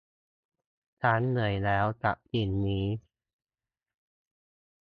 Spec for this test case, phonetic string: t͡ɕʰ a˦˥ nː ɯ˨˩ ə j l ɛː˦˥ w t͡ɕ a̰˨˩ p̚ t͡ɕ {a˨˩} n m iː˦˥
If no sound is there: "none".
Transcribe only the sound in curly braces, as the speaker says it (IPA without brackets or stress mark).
i˨˩